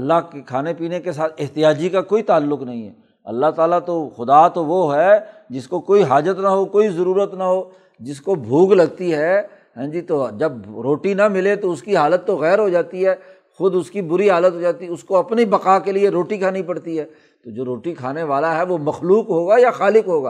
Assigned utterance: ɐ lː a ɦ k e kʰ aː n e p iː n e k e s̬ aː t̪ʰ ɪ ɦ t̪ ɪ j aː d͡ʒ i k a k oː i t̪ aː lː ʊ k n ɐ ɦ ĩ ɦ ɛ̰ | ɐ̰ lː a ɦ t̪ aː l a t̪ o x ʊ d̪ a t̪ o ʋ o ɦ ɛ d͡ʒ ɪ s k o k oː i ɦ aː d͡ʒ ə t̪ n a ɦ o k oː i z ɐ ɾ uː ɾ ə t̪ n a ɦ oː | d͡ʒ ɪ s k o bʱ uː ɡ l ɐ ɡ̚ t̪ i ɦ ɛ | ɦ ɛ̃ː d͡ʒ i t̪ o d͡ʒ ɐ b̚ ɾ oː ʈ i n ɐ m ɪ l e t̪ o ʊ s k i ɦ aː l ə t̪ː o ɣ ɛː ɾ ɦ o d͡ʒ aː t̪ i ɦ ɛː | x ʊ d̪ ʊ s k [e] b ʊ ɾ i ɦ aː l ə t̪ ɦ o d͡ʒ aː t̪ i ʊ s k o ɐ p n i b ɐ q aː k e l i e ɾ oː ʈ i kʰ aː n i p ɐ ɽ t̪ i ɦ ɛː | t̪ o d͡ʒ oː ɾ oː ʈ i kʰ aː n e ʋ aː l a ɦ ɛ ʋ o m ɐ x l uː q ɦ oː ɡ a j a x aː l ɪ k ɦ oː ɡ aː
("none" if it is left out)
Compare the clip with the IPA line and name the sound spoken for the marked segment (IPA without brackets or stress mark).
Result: i